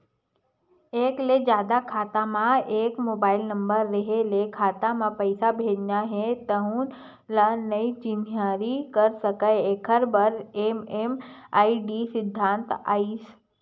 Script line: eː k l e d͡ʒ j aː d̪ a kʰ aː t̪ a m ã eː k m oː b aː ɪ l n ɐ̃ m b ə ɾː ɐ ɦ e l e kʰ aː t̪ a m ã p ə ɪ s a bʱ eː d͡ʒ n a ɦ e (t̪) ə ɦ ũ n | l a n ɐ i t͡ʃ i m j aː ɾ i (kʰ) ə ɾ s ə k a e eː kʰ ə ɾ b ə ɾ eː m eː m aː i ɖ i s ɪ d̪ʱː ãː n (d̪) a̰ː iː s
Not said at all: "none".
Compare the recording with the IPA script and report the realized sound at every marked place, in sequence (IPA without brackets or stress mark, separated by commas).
t̪, k, t̪